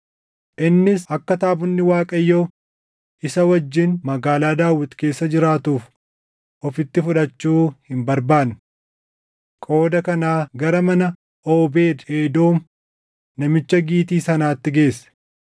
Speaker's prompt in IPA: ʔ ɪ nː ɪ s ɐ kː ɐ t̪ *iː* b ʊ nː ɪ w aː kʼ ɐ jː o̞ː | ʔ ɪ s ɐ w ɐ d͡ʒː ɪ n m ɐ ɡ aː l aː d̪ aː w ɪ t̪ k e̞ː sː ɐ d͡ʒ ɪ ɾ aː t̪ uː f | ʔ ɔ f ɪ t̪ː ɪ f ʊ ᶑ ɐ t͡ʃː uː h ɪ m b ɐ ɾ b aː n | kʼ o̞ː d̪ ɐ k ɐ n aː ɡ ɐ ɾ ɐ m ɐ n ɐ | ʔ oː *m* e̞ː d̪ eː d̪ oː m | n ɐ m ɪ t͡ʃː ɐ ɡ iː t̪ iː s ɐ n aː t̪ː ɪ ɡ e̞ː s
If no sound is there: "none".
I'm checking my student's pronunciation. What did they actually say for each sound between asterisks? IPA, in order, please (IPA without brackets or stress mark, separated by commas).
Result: aː, b